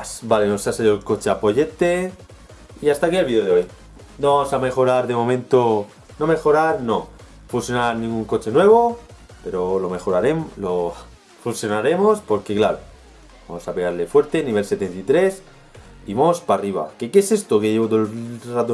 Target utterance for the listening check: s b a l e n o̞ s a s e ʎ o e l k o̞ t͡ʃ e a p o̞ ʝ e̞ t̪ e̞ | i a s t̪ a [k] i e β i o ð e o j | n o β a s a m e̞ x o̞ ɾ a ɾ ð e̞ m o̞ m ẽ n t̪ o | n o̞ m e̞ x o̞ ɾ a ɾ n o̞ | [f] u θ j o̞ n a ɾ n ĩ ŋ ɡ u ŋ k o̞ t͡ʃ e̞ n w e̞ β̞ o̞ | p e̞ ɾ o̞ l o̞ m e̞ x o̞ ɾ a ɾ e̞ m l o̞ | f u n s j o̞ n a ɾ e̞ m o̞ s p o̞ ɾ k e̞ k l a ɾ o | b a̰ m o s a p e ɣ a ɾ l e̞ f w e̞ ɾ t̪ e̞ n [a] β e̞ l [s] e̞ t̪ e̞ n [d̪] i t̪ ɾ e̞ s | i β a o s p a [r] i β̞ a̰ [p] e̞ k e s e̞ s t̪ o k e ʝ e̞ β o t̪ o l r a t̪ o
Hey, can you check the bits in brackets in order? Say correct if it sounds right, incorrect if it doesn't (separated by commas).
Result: correct, correct, incorrect, correct, incorrect, correct, incorrect